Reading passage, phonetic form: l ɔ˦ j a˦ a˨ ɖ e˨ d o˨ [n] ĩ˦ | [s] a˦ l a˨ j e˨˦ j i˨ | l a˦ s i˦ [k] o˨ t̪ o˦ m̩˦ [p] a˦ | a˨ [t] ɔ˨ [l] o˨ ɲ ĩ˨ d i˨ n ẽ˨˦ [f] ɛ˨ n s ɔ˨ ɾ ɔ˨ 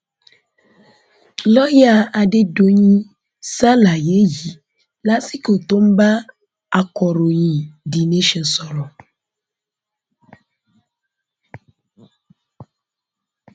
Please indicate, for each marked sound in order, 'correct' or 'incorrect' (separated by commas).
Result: incorrect, correct, correct, incorrect, incorrect, incorrect, incorrect